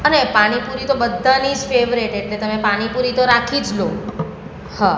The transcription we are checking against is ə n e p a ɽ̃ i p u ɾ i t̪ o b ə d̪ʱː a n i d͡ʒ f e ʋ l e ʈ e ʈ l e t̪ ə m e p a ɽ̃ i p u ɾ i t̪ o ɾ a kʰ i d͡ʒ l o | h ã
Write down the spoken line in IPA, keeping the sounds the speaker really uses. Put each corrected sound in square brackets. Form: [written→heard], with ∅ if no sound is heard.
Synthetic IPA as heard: ə n e p a ɽ̃ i p u ɾ i t̪ o b ə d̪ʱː a n i d͡ʒ f e ʋ [l→ɾ] e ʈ e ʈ l e t̪ ə m e p a ɽ̃ i p u ɾ i t̪ o ɾ a kʰ i d͡ʒ l o | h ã